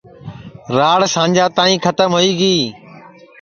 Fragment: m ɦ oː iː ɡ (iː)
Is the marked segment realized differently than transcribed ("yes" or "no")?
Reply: no